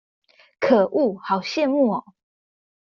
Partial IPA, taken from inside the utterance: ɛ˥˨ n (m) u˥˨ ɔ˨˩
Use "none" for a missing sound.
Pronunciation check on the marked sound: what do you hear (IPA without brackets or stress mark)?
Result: m